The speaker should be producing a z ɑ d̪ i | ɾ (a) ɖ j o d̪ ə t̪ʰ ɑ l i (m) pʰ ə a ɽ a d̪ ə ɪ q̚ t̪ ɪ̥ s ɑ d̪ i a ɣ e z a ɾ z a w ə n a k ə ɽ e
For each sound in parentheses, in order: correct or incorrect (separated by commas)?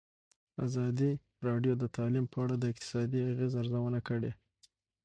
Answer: incorrect, correct